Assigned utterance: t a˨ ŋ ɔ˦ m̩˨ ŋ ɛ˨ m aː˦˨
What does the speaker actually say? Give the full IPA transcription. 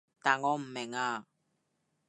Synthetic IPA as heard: t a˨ ŋ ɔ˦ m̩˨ m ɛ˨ ŋ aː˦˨

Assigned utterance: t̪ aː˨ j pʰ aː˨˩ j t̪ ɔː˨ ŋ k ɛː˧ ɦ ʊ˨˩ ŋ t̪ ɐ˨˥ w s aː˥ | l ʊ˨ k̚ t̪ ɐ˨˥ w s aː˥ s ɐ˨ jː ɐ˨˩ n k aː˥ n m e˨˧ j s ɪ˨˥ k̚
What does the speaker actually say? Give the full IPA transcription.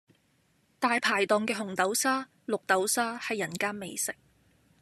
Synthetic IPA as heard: t̪ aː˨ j pʰ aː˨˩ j t̪ ɔː˨ ŋ k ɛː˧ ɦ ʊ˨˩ ŋ t̪ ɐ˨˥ w s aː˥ | l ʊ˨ k̚ t̪ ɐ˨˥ w s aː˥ h ɐ˨ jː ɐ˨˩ n k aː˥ n m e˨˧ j s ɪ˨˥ k̚

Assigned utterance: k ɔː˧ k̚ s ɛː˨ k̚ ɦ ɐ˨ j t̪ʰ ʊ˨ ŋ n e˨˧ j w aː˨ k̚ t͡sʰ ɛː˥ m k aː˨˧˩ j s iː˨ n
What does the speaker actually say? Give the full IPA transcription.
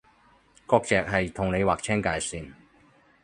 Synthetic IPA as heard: k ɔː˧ k̚ t͡s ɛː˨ k̚ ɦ ɐ˨ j t̪ʰ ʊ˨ ŋ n e˨˧ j w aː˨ k̚ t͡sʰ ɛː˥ ŋ k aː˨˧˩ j s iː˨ n

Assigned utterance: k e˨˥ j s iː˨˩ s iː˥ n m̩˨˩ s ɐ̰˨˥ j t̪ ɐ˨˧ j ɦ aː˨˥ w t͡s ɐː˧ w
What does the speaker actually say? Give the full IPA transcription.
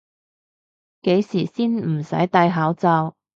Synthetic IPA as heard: k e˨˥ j s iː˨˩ s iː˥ n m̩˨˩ s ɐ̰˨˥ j t̪ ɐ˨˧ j ɦ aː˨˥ w t͡s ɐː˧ w

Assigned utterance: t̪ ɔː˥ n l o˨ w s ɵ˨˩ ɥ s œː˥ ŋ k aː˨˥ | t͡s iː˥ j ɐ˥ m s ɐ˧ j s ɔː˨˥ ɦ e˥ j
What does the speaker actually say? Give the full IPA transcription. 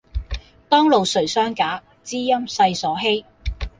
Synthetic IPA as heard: t̪ ɔː˥ ŋ l o˨ w s ɵ˨˩ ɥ s œː˥ ŋ k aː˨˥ | t͡s iː˥ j ɐ˥ m s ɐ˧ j s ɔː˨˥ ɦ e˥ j

